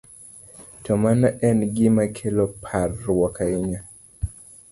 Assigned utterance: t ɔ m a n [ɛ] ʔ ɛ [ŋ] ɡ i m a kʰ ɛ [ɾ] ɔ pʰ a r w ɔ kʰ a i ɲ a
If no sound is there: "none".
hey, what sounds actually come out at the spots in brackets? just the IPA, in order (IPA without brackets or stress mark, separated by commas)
a, n, l